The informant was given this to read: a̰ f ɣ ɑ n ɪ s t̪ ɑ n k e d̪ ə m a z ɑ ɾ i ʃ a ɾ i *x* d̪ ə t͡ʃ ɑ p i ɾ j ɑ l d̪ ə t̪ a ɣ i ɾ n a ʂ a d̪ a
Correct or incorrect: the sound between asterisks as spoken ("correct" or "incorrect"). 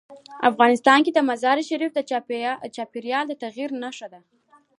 incorrect